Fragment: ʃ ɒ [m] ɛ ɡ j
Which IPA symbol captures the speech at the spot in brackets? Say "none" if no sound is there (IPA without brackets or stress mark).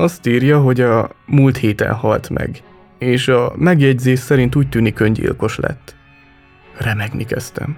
m